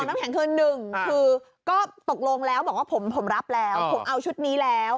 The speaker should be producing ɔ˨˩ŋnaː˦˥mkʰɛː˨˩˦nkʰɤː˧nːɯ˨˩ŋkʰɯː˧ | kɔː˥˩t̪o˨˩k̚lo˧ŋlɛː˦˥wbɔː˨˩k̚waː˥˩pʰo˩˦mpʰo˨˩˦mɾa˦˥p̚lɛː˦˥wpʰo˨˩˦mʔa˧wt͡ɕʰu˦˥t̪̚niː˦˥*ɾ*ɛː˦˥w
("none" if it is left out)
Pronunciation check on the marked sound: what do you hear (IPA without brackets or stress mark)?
l